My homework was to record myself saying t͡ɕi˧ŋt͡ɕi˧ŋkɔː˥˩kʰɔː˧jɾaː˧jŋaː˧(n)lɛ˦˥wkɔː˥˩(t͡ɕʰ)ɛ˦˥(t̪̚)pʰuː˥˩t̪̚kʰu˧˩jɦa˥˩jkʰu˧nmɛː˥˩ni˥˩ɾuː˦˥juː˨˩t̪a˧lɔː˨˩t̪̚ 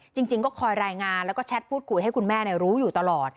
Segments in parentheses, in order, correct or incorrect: correct, correct, correct

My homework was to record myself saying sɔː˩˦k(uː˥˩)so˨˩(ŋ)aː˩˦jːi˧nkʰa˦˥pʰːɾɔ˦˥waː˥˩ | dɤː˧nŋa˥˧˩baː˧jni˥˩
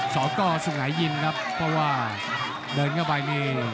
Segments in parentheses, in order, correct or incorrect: incorrect: ɔː˥˩, correct

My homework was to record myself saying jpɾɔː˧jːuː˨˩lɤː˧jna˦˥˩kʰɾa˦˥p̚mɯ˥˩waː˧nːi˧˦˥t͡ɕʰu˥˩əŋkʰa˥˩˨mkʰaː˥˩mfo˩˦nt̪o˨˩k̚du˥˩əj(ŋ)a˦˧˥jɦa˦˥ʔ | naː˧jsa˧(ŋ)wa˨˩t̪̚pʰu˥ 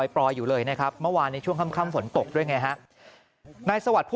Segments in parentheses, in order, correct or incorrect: correct, incorrect: none

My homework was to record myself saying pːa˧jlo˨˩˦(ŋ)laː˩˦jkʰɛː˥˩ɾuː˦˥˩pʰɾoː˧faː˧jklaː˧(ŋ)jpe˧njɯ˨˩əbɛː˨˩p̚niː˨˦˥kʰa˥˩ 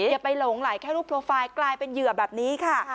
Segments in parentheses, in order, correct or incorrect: correct, incorrect: none

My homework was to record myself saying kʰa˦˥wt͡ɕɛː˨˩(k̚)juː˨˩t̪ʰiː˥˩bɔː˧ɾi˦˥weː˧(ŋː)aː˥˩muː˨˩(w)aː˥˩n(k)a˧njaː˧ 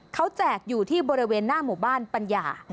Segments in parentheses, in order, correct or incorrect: correct, incorrect: nː, incorrect: b, incorrect: p

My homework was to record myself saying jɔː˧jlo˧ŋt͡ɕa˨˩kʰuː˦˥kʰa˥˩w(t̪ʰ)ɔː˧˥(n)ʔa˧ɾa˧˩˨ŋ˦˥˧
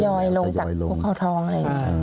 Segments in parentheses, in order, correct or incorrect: correct, incorrect: ŋ

